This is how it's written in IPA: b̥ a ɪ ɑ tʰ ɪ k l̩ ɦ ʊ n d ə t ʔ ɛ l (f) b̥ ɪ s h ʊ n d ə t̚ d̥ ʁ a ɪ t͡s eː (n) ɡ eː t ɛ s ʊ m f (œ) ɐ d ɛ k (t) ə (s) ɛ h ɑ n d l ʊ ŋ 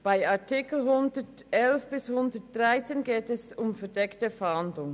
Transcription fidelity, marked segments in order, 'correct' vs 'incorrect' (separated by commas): correct, correct, incorrect, correct, incorrect